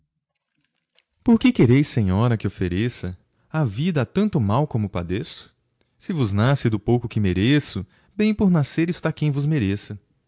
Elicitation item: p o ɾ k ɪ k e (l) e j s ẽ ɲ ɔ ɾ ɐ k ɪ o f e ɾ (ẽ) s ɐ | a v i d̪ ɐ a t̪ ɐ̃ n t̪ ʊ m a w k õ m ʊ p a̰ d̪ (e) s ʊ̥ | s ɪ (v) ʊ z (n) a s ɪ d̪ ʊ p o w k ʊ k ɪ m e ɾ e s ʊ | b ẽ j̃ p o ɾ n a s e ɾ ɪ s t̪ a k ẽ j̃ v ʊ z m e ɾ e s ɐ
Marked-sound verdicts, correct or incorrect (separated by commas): incorrect, incorrect, correct, correct, correct